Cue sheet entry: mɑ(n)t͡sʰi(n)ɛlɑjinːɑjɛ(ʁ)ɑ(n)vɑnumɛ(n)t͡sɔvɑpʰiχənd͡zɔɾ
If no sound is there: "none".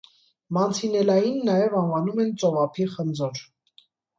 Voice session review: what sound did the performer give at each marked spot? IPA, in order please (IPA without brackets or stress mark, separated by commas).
n, n, v, n, n